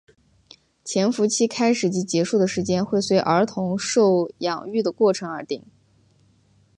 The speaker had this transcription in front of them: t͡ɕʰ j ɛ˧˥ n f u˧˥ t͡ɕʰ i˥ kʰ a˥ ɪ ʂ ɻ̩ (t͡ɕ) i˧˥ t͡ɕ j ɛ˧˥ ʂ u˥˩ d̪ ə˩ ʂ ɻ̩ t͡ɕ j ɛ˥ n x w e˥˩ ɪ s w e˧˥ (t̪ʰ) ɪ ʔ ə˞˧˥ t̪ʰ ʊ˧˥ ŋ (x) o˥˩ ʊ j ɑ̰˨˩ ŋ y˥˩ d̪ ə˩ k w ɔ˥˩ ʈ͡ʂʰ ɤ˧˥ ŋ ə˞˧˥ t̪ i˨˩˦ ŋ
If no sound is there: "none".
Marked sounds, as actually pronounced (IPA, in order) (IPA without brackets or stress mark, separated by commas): t͡ɕ, none, ʂ